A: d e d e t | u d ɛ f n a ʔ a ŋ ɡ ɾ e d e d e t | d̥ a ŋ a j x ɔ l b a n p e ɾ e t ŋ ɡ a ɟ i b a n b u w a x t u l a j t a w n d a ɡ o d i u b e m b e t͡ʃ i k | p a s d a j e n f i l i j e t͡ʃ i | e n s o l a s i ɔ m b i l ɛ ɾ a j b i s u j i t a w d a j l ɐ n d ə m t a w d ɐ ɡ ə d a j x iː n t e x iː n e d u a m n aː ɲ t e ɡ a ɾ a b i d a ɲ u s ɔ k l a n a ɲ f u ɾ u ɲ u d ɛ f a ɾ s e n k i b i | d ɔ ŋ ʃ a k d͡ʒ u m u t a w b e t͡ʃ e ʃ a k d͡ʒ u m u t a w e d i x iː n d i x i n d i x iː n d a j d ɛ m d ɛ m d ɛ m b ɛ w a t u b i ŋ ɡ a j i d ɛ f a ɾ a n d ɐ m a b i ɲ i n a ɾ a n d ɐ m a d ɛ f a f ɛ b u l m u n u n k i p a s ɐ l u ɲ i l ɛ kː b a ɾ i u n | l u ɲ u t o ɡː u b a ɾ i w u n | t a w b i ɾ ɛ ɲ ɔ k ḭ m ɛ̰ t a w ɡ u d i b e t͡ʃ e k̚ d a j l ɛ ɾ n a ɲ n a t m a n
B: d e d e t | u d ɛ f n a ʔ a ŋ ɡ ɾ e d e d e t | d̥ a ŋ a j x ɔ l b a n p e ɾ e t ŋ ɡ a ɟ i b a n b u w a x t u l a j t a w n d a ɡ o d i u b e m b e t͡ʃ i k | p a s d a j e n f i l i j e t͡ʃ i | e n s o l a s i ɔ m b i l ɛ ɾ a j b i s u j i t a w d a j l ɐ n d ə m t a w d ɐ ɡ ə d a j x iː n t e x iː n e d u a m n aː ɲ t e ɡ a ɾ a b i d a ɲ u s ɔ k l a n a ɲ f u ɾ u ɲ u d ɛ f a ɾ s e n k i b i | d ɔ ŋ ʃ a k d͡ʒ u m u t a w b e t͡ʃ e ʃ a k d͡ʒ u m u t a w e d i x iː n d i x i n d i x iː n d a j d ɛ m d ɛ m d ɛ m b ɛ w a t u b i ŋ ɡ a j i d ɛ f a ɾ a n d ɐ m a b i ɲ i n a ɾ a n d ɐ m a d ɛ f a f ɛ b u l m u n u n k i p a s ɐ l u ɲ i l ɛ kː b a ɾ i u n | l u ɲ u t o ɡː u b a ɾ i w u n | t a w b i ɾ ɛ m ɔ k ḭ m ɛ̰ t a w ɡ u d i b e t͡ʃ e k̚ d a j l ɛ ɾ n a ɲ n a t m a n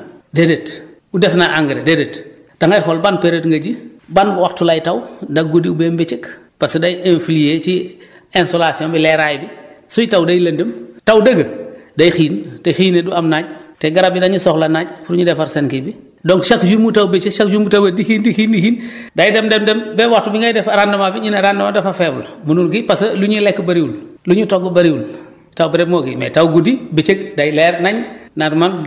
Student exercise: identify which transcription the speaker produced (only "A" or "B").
B